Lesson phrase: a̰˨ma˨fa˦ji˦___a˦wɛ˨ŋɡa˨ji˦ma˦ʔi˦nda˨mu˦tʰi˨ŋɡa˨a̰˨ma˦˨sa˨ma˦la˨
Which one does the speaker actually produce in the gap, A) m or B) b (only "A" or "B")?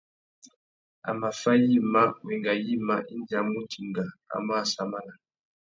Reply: A